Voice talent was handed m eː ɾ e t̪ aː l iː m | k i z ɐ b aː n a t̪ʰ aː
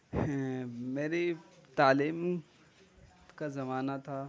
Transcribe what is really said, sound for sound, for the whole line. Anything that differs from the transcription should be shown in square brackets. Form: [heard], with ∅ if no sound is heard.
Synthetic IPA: m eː ɾ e t̪ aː l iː m | k [a] z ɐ [m] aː n a t̪ʰ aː